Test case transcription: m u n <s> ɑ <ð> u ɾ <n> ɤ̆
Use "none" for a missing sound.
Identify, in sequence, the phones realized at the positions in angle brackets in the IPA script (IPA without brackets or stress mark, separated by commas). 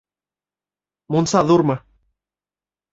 s, ð, m